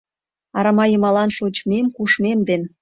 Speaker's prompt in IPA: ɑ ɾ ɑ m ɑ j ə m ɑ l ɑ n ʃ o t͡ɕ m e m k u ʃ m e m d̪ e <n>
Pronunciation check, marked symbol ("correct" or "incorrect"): correct